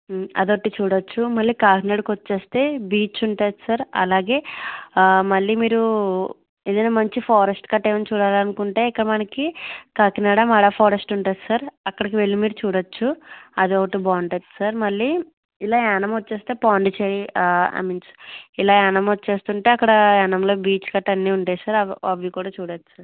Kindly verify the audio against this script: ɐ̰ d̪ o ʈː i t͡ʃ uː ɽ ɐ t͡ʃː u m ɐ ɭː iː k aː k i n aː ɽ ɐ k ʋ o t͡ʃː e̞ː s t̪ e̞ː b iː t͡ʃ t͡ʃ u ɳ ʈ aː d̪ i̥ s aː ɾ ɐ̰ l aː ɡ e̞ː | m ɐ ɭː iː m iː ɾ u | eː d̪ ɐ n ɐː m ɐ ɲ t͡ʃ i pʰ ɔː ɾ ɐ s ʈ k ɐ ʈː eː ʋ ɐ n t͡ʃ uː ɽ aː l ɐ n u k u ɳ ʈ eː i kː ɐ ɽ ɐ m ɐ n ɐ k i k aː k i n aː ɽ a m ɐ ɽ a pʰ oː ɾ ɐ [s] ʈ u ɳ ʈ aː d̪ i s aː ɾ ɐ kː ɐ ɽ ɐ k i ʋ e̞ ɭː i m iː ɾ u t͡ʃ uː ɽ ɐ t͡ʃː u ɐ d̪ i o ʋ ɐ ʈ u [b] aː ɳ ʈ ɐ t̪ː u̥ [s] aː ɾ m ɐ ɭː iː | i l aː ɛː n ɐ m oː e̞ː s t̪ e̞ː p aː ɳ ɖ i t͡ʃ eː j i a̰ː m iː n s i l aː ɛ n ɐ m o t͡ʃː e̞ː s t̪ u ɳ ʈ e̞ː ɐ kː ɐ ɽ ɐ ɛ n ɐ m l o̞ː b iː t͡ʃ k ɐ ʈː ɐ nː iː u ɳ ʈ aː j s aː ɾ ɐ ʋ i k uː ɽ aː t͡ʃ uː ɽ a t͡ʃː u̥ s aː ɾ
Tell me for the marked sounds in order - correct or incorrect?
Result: correct, correct, correct

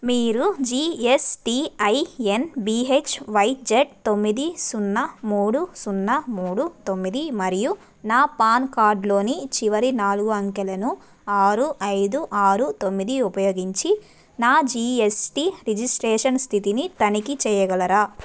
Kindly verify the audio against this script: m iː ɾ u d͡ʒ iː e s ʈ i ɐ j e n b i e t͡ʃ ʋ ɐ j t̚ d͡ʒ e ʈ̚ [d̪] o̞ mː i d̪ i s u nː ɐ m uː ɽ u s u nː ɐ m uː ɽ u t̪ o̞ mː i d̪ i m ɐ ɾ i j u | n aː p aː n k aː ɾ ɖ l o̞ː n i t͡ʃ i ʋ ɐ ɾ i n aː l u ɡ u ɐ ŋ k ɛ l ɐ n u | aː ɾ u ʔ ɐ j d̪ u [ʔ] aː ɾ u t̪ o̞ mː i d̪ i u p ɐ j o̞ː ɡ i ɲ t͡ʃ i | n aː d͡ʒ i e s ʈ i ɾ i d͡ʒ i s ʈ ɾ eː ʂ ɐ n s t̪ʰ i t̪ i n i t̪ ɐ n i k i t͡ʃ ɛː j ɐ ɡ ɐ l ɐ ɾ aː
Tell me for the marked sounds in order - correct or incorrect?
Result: incorrect: t̪, correct

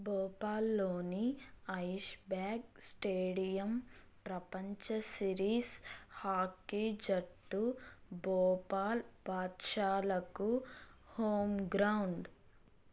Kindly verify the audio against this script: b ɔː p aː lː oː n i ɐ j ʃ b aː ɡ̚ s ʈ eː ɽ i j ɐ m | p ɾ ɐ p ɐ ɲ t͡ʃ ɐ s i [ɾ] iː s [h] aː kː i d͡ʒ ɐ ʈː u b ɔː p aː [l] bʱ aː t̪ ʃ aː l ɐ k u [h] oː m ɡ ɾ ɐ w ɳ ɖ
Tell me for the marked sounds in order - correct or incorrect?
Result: correct, correct, correct, correct

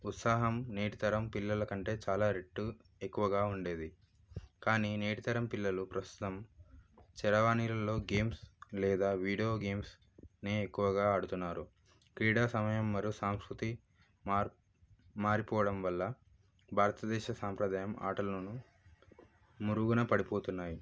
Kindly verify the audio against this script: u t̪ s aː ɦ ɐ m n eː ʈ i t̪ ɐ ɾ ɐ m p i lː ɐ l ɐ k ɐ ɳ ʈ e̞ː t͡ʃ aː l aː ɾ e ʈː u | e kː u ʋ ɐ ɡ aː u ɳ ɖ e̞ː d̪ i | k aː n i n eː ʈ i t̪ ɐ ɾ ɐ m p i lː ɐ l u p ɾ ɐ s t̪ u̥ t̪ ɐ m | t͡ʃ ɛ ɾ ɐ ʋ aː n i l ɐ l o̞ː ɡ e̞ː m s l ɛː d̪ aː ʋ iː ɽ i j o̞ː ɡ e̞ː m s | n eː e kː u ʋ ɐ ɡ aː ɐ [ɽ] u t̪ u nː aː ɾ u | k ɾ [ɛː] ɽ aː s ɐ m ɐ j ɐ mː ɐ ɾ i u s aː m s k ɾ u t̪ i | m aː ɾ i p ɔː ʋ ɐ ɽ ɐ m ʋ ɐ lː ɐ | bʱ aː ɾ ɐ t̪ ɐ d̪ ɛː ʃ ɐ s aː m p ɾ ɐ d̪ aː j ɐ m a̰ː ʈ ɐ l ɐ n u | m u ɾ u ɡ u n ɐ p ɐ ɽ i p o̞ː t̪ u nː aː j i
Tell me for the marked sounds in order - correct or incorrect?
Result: correct, incorrect: iː

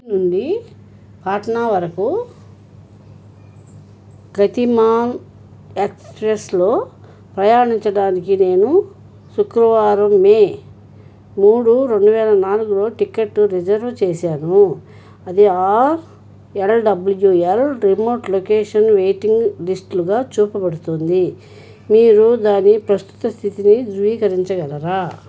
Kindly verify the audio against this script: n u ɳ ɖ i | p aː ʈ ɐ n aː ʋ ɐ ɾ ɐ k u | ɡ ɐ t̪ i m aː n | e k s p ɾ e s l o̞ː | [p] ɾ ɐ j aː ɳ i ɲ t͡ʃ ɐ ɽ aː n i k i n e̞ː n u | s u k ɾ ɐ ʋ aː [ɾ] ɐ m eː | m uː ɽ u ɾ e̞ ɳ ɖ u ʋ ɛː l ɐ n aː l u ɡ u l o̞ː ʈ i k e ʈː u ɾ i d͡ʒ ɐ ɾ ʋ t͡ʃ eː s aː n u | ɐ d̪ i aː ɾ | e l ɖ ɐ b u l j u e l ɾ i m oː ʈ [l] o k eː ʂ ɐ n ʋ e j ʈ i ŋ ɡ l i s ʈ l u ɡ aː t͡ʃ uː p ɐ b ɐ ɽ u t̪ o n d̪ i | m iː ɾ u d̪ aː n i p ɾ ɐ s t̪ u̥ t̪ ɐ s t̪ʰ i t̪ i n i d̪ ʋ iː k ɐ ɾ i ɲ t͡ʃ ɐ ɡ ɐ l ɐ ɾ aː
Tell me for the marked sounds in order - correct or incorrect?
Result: correct, correct, correct

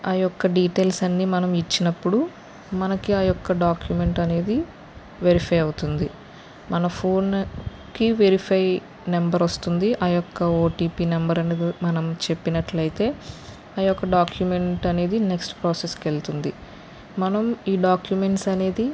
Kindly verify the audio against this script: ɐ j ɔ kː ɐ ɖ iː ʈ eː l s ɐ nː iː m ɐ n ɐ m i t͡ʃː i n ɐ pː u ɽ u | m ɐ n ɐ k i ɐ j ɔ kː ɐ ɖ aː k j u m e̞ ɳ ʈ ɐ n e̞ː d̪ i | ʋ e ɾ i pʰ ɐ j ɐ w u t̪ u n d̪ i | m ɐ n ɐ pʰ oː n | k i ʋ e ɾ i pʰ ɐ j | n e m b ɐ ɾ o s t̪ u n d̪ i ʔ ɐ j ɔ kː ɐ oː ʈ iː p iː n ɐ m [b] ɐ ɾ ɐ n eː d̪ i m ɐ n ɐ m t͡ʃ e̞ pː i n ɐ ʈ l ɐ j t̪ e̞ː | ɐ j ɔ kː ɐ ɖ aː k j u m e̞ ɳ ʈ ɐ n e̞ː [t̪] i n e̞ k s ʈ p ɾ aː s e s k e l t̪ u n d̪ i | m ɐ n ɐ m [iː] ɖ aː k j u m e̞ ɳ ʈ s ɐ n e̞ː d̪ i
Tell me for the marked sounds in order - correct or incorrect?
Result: correct, incorrect: d̪, correct

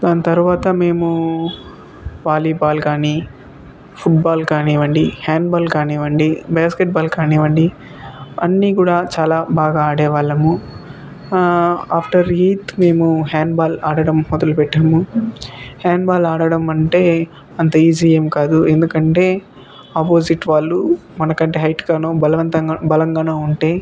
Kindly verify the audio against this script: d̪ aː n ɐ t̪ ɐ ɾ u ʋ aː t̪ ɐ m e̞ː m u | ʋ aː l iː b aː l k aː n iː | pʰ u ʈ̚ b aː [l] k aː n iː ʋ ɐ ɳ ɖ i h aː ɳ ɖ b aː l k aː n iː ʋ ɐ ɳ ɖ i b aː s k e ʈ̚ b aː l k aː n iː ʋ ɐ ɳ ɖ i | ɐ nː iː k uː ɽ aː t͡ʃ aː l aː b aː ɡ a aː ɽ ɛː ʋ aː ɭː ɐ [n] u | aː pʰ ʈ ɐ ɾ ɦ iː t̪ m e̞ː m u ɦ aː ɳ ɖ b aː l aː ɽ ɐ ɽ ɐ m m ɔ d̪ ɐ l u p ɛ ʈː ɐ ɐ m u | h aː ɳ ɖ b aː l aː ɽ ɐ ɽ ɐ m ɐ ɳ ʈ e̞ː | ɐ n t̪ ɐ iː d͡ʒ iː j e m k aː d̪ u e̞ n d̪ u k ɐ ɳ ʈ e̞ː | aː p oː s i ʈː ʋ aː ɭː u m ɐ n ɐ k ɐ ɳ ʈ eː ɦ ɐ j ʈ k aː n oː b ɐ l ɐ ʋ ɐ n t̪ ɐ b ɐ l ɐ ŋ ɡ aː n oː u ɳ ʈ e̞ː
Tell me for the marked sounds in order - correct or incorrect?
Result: correct, incorrect: m

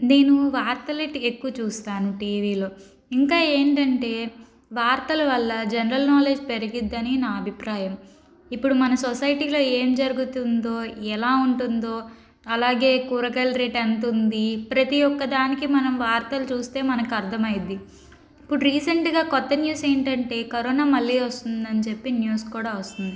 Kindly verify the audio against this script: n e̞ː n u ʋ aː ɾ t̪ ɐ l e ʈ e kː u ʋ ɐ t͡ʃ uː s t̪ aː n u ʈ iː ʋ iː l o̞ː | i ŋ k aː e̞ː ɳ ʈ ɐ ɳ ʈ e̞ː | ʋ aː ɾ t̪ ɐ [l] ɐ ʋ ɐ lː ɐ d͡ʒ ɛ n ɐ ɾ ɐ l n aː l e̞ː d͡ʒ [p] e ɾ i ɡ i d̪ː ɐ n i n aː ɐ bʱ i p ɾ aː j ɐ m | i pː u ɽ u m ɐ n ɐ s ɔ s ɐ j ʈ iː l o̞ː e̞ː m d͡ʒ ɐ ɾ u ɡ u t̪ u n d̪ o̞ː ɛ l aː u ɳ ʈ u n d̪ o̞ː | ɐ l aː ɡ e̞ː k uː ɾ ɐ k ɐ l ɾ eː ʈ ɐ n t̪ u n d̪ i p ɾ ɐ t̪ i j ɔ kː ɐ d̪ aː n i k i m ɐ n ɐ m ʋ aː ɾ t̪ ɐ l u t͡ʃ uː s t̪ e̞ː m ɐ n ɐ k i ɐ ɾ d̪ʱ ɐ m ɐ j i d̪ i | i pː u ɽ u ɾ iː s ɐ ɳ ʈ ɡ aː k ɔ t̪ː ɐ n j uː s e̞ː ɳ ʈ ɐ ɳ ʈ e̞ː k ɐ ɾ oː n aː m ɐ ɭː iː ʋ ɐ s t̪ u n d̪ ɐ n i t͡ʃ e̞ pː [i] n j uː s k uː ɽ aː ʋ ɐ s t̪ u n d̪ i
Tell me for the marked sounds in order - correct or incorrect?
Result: correct, correct, correct

